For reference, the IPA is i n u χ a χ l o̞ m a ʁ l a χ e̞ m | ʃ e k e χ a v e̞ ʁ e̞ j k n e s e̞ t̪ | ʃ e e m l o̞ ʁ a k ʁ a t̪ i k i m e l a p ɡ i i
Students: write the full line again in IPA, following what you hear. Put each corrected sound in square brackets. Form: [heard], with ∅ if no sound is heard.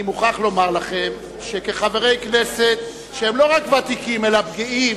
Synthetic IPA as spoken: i [m] u χ a χ l o̞ m a ʁ l a χ e̞ m | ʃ e k e χ a v e̞ ʁ e̞ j k n e s e̞ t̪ | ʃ e e m l o̞ ʁ a k [v] a t̪ i k i m e l a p ɡ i i